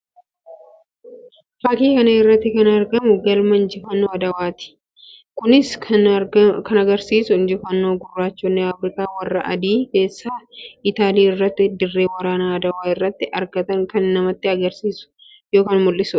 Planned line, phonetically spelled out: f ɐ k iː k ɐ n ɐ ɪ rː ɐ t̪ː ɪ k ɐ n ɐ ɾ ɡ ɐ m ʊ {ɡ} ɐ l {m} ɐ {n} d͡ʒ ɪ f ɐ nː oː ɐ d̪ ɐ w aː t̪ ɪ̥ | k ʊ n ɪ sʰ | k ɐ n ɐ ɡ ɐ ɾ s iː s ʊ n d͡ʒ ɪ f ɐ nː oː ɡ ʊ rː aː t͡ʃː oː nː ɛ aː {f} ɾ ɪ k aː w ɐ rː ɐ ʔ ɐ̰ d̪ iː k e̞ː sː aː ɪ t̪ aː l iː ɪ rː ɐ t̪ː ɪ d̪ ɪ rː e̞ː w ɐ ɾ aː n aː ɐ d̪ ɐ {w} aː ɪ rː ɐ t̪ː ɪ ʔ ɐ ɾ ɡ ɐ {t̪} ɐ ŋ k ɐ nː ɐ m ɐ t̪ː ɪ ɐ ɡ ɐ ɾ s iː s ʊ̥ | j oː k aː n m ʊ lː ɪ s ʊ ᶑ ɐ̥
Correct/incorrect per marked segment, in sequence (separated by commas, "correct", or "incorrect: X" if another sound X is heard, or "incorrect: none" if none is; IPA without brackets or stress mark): correct, correct, correct, correct, correct, correct